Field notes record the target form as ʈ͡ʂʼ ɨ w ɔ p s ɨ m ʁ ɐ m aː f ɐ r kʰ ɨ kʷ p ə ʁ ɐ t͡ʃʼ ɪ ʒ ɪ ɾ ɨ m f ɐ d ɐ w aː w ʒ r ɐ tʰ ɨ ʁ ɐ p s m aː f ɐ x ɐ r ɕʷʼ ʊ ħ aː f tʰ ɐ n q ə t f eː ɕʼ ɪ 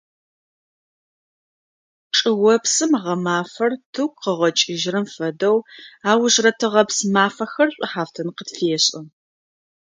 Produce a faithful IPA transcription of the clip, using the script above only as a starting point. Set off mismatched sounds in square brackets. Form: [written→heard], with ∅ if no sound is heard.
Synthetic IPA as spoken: ʈ͡ʂʼ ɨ w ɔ p s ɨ m ʁ ɐ m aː f ɐ r [kʰ→tʰ] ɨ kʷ [p→q] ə ʁ ɐ t͡ʃʼ ɪ ʒ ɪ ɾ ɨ m f ɐ d ɐ w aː w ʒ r ɐ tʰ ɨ ʁ ɐ p s m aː f ɐ x ɐ r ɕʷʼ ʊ ħ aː f tʰ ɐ n q ə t f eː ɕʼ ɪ